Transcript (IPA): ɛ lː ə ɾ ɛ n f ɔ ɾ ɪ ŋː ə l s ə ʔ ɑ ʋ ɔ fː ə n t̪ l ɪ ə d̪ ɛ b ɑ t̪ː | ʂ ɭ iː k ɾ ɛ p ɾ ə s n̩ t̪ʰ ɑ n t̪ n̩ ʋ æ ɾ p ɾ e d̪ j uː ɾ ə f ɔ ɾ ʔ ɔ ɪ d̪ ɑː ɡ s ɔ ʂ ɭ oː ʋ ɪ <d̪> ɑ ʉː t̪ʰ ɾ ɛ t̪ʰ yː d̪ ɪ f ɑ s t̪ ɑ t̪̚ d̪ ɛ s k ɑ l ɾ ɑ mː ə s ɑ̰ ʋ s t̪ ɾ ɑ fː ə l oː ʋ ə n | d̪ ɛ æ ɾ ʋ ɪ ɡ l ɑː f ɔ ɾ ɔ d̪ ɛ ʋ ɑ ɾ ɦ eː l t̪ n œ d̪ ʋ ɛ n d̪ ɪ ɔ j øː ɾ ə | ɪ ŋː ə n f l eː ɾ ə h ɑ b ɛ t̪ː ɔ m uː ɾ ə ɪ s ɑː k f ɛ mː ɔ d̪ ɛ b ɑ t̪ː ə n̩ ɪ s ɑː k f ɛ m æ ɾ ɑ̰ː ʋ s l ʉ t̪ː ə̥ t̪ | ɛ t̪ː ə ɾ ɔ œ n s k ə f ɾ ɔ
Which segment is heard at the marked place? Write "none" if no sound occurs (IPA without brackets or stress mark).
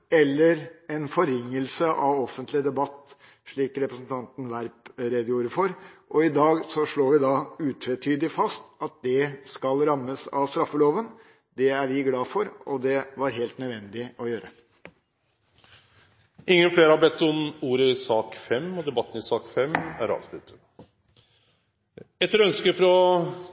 d̪